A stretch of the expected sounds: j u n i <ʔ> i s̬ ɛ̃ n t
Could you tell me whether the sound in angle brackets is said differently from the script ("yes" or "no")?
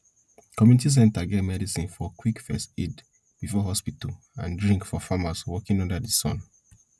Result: yes